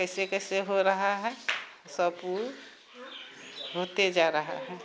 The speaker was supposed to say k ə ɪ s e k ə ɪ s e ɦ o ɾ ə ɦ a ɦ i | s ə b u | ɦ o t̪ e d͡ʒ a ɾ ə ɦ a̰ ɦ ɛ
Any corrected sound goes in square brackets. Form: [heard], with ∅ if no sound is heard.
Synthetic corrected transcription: k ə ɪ s e k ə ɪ s e ɦ o ɾ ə ɦ a ɦ [ɛ] | s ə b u | ɦ o t̪ e d͡ʒ a ɾ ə ɦ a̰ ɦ ɛ